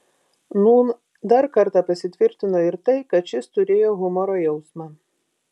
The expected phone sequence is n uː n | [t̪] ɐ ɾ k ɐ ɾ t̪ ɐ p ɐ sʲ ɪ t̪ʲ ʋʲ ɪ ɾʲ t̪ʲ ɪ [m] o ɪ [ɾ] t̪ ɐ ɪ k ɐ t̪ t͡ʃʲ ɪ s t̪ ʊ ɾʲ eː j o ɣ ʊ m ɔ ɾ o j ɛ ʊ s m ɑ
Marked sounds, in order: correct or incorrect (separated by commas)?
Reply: incorrect, incorrect, correct